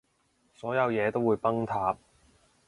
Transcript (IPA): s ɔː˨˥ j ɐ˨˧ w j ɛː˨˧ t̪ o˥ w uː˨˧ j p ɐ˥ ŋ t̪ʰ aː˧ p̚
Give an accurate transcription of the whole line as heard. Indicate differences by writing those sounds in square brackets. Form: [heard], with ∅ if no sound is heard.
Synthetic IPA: s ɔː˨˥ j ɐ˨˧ w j ɛː˨˧ t̪ o˥ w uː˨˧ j p ɐ˥ ŋ t̪ʰ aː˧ p̚

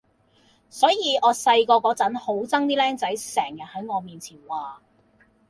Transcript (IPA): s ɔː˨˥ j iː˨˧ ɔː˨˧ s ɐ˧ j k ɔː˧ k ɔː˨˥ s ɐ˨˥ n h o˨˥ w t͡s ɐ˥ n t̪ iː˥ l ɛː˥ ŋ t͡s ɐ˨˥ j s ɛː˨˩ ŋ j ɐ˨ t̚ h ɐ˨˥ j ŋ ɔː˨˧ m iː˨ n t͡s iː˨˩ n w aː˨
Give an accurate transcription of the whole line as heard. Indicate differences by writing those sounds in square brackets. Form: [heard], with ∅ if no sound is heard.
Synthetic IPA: s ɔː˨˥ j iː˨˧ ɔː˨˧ s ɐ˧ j k ɔː˧ k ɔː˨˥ [t͡s] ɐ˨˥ n h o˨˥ w t͡s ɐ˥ [ŋ] t̪ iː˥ l ɛː˥ ŋ t͡s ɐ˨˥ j s ɛː˨˩ ŋ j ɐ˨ t̚ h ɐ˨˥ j ŋ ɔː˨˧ m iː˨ n [t͡sʰ] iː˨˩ n w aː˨

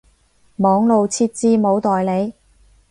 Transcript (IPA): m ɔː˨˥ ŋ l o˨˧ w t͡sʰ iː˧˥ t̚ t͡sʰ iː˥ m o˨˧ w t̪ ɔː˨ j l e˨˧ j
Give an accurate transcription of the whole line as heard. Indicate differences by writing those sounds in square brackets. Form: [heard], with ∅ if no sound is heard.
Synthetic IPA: m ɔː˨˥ ŋ l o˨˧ w t͡sʰ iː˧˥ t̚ [t͡s] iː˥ m o˨˧ w t̪ ɔː˨ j l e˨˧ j

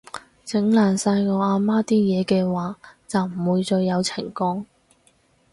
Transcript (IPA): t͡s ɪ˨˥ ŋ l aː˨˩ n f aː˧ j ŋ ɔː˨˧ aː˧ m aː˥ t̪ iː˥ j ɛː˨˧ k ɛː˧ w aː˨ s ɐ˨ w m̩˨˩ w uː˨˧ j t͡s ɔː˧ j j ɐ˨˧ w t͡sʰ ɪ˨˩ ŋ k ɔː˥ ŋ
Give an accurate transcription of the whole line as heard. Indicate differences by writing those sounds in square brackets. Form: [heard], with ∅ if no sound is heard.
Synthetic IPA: t͡s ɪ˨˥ ŋ l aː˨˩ n [s] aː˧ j ŋ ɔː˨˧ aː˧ m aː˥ t̪ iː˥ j ɛː˨˧ k ɛː˧ w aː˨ [t͡s] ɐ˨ w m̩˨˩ w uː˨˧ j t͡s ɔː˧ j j ɐ˨˧ w t͡sʰ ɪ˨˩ ŋ k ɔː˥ ŋ

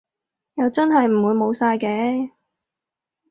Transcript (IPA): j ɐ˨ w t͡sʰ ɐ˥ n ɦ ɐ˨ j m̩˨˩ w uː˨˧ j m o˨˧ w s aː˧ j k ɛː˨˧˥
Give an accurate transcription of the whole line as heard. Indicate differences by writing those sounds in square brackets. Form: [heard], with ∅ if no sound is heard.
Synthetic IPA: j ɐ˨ w [t͡s] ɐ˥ n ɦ ɐ˨ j m̩˨˩ w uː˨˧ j m o˨˧ w s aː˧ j k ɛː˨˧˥

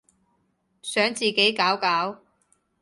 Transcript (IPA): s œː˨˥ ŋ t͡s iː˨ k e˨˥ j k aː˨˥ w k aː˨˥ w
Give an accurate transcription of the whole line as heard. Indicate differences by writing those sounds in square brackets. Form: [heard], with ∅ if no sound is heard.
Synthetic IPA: s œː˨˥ ŋ t͡s iː˨ k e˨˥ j k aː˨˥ w k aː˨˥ w

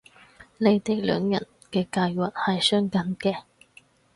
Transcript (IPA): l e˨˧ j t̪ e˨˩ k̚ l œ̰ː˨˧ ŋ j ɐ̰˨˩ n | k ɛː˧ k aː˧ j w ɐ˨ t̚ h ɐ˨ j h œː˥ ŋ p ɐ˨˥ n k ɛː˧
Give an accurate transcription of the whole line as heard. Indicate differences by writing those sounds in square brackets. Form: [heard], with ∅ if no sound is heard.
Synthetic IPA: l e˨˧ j t̪ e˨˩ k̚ l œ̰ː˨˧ ŋ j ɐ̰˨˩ n | k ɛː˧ k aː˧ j w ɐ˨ t̚ h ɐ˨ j [s] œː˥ ŋ [k] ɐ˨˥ n k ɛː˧

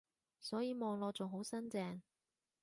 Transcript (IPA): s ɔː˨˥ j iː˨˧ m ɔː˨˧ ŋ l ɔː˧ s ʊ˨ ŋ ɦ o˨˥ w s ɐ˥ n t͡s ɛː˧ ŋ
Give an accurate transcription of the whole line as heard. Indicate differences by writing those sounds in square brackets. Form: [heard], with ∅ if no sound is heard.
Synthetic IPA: s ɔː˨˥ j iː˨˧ m ɔː˨˧ ŋ l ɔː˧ [t͡s] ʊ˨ ŋ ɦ o˨˥ w s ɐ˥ n t͡s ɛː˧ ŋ

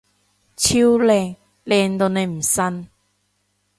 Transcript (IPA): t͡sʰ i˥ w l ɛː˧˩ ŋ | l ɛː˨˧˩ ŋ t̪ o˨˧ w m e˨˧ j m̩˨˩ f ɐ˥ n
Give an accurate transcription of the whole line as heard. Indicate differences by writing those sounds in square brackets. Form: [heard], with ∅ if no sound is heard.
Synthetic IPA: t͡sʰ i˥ w l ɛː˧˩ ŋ | l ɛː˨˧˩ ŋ t̪ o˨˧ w [n] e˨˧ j m̩˨˩ [s] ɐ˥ n

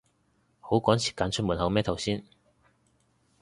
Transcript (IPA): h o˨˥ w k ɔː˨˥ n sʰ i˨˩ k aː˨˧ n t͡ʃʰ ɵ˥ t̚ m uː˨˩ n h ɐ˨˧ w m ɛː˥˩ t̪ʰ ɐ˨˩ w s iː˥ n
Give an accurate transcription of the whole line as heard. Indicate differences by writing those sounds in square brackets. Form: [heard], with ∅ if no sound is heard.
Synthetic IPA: h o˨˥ w k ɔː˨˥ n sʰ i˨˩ k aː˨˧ n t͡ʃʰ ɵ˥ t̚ m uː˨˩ n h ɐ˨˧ w m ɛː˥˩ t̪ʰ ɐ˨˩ w s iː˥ n

